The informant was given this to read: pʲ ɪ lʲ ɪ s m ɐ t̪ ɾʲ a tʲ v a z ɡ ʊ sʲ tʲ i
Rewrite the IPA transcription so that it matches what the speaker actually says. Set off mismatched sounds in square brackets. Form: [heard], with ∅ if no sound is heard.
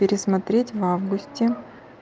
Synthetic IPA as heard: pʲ ɪ [ɾʲ] ɪ s m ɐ t̪ ɾʲ [e] tʲ v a [v] ɡ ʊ sʲ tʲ [ɪ]